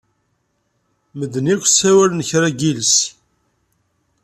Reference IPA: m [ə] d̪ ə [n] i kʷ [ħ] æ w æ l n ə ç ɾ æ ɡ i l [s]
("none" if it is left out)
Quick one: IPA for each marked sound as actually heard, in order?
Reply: ə, n, s, s

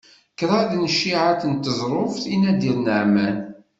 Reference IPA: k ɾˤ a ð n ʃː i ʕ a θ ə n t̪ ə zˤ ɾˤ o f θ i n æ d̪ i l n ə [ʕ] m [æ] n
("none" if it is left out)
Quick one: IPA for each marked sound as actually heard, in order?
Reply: ʕ, æ

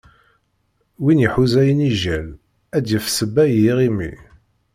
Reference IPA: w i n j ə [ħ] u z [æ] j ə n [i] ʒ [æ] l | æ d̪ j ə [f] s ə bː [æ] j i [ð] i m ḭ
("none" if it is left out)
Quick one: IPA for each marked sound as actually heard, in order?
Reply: ħ, æ, i, æ, f, æ, ʁ

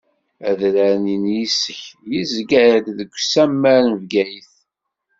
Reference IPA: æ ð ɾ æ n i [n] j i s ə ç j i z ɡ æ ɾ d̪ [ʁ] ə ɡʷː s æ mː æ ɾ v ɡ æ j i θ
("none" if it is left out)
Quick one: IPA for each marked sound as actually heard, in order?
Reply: n, ð

